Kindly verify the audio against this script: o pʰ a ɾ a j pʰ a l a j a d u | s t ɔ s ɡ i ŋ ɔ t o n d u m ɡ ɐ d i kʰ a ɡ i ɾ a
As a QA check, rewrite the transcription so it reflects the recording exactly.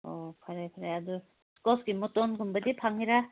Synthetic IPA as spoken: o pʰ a ɾ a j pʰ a ɾ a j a d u | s k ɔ s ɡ i m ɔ t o n ɡ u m b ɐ d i pʰ a ŋ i ɾ a